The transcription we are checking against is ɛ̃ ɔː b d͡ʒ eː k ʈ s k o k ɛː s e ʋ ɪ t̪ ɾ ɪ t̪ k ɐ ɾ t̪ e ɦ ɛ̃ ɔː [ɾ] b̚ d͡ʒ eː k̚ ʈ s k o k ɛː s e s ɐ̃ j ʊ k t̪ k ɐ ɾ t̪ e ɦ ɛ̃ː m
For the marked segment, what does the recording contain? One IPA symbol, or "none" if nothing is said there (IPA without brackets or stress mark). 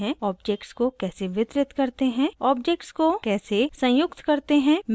none